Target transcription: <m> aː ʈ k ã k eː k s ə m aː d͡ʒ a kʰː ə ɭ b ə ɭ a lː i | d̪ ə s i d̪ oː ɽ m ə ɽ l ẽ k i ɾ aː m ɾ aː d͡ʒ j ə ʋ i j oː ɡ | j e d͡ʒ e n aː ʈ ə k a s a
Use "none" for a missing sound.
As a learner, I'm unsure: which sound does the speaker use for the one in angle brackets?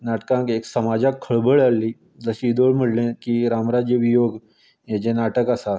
n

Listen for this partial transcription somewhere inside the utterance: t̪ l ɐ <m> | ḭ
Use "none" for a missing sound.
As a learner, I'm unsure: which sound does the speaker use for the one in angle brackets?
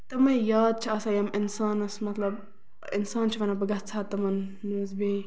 b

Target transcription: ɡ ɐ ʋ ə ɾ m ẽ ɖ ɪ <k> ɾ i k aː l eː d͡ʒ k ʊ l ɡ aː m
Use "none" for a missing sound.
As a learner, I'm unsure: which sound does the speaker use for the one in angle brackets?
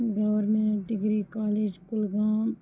ɡ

